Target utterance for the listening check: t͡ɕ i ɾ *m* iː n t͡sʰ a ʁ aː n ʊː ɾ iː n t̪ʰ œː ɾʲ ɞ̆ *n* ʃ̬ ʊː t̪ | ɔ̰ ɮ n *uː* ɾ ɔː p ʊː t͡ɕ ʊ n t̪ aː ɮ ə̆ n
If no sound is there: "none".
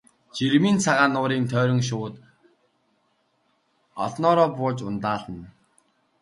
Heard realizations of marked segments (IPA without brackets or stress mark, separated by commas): m, ŋ, ɔː